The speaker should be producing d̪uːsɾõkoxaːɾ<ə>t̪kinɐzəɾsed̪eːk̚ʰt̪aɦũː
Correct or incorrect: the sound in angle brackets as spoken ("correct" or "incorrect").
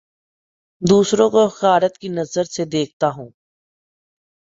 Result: correct